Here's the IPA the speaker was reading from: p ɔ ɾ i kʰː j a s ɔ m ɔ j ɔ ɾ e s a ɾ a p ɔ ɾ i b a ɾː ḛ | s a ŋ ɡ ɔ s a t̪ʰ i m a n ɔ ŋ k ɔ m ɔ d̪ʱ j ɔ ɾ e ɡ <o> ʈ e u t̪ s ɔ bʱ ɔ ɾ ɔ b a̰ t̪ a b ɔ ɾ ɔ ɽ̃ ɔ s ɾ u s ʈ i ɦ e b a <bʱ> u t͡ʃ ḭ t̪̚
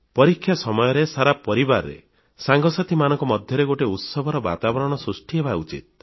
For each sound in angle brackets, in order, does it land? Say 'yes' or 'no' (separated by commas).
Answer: yes, no